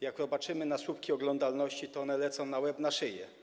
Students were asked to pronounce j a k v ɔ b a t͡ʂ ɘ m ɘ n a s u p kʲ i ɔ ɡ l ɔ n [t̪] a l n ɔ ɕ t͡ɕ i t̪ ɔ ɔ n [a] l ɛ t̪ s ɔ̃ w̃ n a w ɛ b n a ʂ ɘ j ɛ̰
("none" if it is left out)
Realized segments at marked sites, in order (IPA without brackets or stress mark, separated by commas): d̪, ɛ